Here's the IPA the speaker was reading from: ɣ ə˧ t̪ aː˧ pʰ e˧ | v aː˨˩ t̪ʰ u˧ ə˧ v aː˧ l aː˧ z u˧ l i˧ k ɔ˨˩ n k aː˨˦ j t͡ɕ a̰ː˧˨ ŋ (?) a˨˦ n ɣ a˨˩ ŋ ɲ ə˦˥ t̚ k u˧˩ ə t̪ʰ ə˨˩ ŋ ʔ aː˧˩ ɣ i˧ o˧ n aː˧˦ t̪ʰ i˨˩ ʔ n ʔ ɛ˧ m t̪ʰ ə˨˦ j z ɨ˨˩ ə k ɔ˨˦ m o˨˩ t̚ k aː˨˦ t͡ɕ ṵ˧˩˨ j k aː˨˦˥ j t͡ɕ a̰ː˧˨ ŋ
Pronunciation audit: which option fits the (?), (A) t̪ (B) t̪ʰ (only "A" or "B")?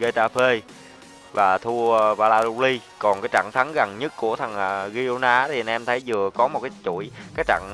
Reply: B